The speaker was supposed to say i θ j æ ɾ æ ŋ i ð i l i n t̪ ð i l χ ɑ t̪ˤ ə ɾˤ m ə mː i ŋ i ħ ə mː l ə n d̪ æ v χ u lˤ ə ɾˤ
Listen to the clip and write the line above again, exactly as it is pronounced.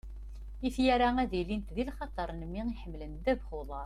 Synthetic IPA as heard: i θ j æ ɾ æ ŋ æ ð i l i n t̪ ð i l χ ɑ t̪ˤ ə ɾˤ n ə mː i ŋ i ħ ə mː l ə n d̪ æ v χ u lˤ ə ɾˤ